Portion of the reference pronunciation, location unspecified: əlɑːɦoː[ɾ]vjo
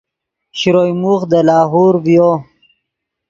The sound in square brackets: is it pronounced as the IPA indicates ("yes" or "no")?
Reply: yes